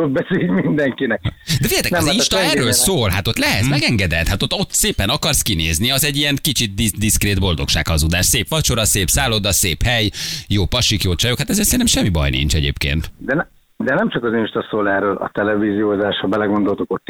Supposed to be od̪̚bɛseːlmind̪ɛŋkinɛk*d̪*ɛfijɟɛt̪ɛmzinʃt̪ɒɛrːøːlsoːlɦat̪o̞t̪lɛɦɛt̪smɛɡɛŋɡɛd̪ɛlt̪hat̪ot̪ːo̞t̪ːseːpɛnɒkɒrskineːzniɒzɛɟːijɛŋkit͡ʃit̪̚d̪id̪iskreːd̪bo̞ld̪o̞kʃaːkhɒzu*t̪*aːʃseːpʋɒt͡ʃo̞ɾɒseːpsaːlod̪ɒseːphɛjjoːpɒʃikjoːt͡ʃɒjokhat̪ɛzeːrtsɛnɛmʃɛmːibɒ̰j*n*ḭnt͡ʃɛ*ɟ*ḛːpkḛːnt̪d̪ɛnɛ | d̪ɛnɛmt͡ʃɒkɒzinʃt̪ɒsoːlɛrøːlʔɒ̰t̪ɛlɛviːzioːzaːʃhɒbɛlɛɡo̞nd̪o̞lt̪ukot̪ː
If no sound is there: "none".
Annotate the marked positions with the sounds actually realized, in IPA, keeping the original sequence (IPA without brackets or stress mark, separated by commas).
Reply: d̪, d̪, n, ɟ